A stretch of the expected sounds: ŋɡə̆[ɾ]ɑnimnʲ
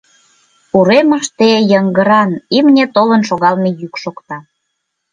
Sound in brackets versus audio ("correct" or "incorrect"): correct